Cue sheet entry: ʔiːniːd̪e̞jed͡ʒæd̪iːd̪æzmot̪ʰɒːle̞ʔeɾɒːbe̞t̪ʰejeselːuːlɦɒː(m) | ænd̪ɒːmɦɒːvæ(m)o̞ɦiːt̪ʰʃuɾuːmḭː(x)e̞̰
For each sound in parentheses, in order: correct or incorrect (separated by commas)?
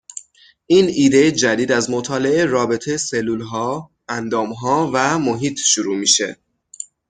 incorrect, correct, incorrect